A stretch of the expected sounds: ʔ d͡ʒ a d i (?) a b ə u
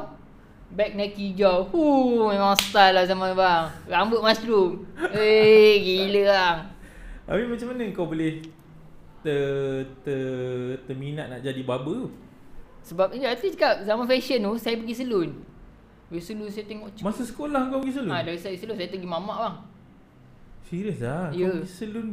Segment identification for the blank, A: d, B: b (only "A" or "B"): B